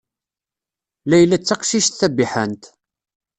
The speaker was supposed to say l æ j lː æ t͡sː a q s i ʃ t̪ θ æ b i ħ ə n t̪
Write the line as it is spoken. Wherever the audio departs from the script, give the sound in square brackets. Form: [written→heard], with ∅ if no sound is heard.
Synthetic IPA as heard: l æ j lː æ t͡sː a q [s→ʃ] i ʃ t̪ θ æ b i ħ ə n t̪